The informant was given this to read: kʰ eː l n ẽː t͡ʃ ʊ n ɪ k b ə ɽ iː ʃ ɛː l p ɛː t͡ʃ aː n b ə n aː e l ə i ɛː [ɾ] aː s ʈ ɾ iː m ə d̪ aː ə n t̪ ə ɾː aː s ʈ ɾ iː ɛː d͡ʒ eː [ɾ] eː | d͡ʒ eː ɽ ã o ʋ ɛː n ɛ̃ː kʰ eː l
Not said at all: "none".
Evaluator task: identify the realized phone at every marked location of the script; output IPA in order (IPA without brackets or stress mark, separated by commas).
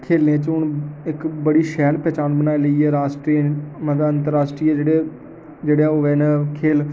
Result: ɾ, ɽ